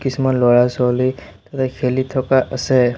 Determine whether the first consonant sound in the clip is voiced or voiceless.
voiceless